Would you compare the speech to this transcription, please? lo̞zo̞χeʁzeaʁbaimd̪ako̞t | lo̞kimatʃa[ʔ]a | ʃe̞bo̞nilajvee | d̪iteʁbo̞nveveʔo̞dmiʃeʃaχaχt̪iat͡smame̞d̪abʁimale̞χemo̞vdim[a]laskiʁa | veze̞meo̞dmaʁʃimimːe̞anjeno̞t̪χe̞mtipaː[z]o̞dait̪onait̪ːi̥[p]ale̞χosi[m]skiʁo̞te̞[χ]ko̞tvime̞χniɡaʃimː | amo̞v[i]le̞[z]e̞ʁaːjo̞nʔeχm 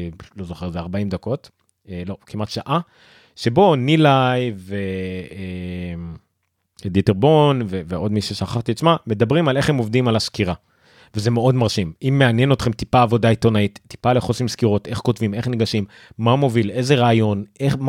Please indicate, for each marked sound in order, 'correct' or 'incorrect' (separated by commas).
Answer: correct, correct, incorrect, correct, correct, correct, correct, correct